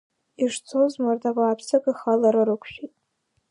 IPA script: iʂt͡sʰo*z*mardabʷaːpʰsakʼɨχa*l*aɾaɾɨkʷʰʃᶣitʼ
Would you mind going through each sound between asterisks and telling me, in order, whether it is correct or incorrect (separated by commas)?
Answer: correct, correct